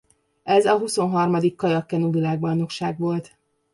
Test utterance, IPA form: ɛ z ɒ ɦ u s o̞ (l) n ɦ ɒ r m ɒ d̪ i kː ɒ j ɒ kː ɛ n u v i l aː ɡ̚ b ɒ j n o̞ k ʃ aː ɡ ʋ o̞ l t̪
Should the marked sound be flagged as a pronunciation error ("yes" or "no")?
yes